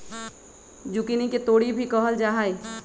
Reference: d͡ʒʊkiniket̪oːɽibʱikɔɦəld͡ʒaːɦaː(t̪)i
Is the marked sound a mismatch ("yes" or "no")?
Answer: yes